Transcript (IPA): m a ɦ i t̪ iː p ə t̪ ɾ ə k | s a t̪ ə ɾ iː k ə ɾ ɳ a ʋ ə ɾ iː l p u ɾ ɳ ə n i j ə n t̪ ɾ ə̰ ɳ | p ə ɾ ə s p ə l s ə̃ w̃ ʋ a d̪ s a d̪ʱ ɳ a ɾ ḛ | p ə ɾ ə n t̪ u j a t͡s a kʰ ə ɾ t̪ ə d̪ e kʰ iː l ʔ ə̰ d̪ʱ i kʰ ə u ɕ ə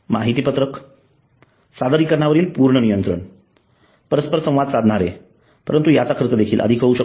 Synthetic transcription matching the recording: m a ɦ i t̪ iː p ə t̪ ɾ ə k | s a d̪ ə ɾ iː k ə ɾ ɳ a ʋ ə ɾ iː l p u ɾ ɳ ə n i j ə n t̪ ɾ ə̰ ɳ | p ə ɾ ə s p ə ɾ s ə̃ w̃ ʋ a d̪ s a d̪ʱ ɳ a ɾ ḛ | p ə ɾ ə n t̪ u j a t͡s a kʰ ə ɾ t̪ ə d̪ e kʰ iː l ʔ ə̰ d̪ʱ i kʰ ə u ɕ ə